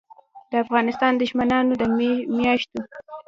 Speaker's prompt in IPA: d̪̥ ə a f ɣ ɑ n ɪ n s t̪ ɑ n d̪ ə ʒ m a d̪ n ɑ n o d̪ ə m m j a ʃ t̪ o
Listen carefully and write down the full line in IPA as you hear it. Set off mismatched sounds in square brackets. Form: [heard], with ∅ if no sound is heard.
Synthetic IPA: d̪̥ ə a f ɣ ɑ n ɪ [∅] s t̪ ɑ n d̪ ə ʒ m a [∅] n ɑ n o d̪ ə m m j [ɑ] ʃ t̪ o